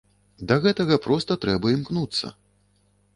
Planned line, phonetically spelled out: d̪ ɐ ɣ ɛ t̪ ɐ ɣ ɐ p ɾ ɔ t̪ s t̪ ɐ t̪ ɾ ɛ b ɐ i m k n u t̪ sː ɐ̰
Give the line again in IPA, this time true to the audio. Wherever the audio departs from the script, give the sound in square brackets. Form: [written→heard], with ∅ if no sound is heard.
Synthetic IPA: d̪ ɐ ɣ ɛ t̪ ɐ ɣ ɐ p ɾ ɔ [t̪→∅] s t̪ ɐ t̪ ɾ ɛ b ɐ i m k n u t̪ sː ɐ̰